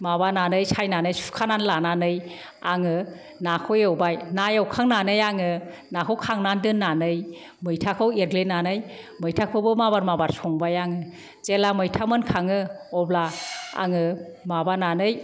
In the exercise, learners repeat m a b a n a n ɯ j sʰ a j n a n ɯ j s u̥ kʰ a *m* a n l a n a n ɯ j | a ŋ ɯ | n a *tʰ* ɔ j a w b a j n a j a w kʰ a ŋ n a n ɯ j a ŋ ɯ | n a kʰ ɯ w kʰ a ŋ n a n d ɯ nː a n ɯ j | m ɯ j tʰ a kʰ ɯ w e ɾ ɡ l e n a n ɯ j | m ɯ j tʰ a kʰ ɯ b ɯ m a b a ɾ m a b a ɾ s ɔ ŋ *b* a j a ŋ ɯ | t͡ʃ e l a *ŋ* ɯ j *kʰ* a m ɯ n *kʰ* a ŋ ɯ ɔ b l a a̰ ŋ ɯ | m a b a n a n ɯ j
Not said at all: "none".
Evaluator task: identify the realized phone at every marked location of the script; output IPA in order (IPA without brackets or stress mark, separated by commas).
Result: n, kʰ, b, m, tʰ, kʰ